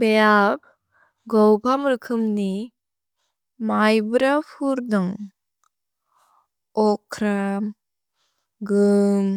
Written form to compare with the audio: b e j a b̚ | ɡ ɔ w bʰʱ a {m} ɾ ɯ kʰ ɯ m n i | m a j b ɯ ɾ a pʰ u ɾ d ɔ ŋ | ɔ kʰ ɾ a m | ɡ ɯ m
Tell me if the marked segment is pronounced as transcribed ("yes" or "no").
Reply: yes